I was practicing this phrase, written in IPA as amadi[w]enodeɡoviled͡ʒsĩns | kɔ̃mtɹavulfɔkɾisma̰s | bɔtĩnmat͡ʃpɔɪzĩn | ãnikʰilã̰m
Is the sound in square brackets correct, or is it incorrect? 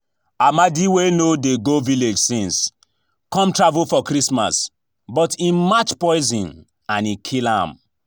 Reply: correct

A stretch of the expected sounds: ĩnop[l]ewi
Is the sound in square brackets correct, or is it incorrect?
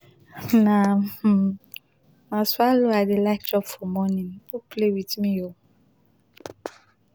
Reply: correct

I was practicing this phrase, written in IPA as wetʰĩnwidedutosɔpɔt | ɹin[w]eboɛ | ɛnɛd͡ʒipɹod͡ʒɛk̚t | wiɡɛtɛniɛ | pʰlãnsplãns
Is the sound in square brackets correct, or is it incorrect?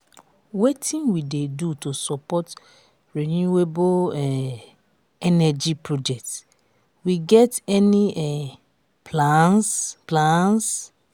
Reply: incorrect: u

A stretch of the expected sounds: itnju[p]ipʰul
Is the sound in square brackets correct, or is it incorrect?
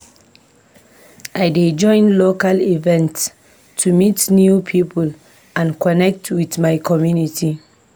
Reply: incorrect: pʰ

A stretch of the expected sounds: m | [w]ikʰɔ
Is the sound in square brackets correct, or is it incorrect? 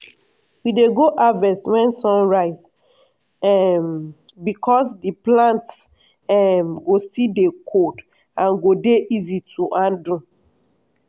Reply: incorrect: b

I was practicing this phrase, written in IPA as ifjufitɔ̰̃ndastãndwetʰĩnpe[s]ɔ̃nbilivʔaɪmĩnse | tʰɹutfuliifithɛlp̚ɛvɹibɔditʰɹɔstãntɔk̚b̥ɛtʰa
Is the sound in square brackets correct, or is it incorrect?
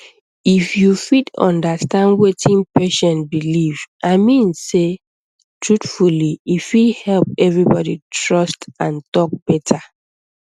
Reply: incorrect: ʃ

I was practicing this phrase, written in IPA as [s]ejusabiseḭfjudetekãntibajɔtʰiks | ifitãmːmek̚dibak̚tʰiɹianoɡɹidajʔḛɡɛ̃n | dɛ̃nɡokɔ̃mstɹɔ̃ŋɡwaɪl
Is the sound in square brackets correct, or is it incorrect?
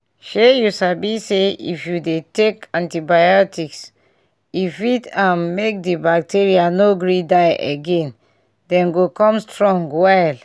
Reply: incorrect: ʃ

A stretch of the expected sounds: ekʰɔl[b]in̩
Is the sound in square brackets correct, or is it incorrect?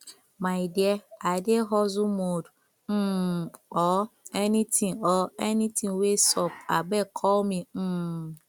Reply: incorrect: m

